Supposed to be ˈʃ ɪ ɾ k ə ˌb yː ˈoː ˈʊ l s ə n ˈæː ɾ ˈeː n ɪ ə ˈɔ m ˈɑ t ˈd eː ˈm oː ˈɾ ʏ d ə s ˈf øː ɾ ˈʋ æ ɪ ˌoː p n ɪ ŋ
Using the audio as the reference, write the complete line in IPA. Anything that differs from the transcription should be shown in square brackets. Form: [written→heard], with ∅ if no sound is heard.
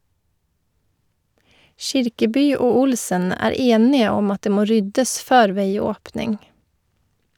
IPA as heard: ˈʃ ɪ ɾ k ə ˌb yː ˈoː ˈʊ l s ə n ˈæː ɾ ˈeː n ɪ ə ˈɔ m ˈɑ t ˈd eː ˈm oː ˈɾ ʏ d ə s ˈf øː ɾ ˈʋ [æ→e] ɪ ˌoː p n ɪ ŋ